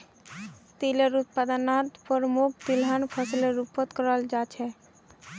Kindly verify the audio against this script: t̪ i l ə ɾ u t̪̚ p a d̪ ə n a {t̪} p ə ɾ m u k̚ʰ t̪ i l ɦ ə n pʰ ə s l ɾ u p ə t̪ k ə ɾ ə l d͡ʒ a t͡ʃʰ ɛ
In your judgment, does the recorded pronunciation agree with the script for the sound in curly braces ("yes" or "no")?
yes